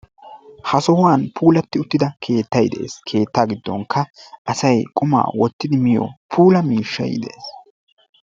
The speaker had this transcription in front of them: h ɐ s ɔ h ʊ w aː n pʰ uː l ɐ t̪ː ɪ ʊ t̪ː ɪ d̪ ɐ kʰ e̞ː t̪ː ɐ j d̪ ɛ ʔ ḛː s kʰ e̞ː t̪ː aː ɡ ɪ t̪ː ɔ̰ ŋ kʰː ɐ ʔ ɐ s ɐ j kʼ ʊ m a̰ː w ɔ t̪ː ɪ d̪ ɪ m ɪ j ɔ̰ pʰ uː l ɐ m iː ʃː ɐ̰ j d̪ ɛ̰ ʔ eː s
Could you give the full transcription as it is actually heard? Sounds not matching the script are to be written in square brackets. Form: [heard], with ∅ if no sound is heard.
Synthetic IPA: h ɐ s ɔ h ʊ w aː n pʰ uː l ɐ t̪ː ɪ ʊ t̪ː ɪ d̪ ɐ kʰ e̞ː t̪ː ɐ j d̪ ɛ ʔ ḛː s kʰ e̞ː t̪ː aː ɡ ɪ [d̪ː] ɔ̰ ŋ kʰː ɐ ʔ ɐ s ɐ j kʼ ʊ m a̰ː w ɔ t̪ː ɪ d̪ ɪ m ɪ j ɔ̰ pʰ uː l ɐ m iː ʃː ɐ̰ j d̪ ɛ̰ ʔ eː s